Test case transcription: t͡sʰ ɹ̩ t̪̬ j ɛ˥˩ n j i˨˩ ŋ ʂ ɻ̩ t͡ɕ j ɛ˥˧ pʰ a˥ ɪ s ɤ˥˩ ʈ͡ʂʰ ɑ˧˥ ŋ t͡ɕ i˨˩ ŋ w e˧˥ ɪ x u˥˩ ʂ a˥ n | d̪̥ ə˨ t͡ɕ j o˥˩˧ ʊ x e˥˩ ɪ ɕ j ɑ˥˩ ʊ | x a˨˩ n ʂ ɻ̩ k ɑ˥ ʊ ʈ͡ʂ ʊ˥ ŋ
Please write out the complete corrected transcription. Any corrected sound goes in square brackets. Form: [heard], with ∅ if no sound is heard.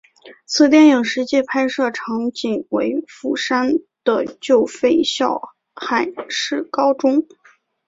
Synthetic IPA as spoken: t͡sʰ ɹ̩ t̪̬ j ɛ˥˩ n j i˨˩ ŋ ʂ ɻ̩ t͡ɕ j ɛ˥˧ pʰ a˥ ɪ [ʂ] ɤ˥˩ ʈ͡ʂʰ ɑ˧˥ ŋ t͡ɕ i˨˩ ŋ w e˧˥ ɪ [f] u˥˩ ʂ a˥ n | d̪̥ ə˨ t͡ɕ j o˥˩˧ ʊ [f] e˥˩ ɪ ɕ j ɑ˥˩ ʊ | x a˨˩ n ʂ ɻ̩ k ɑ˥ ʊ ʈ͡ʂ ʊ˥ ŋ